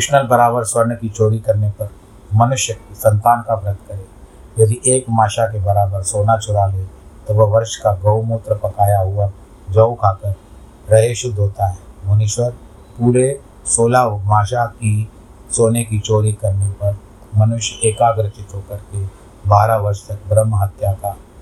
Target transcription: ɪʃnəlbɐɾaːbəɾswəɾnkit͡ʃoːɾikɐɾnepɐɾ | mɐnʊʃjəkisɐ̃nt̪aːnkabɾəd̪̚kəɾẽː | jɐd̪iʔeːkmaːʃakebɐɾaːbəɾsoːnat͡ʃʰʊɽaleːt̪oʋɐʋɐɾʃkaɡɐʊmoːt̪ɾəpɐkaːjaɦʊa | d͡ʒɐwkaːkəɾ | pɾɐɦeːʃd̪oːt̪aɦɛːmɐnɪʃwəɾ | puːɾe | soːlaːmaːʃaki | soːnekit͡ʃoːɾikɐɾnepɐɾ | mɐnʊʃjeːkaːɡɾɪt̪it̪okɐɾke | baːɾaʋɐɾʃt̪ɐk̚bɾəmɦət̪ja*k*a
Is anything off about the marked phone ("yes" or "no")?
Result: no